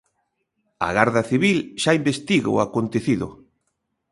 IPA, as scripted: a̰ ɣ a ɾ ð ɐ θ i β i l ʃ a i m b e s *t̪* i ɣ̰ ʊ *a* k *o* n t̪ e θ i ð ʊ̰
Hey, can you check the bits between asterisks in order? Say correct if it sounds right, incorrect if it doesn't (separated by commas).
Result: correct, correct, correct